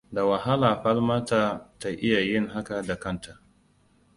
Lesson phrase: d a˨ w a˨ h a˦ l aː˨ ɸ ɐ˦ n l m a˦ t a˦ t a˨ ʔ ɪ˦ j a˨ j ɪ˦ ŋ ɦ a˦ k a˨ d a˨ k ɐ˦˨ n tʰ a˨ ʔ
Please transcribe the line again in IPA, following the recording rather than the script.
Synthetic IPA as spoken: d a˨ w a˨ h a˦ l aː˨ ɸ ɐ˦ l m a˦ t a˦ t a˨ ʔ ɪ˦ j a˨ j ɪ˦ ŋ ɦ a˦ k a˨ d a˨ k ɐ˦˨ n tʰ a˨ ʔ

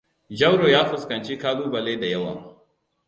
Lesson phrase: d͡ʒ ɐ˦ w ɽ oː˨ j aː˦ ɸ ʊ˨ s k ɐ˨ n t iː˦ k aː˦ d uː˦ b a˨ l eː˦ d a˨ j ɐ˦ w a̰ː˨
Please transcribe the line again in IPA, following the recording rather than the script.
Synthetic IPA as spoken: d͡ʒ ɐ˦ w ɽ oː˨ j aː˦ ɸ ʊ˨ s k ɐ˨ n t͡ʃ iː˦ k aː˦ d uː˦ b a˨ l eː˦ d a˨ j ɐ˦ w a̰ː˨

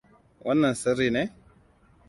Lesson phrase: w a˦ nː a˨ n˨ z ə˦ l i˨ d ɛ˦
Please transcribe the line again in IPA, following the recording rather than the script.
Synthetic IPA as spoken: w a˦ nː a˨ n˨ s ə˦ ɾ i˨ n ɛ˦

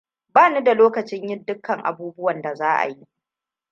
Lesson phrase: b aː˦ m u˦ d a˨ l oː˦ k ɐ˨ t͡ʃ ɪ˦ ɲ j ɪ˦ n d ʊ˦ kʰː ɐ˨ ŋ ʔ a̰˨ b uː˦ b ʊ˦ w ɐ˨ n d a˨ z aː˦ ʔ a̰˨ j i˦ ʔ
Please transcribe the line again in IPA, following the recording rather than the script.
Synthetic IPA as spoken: b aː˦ n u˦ d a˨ l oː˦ k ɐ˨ t͡ʃ ɪ˦ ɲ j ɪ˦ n d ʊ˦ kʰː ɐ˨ ŋ ʔ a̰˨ b uː˦ b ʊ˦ w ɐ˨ n d a˨ z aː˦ ʔ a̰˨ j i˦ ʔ

